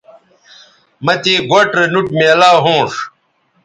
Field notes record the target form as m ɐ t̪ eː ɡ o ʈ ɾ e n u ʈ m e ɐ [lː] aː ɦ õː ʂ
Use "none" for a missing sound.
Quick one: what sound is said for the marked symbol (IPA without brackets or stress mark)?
l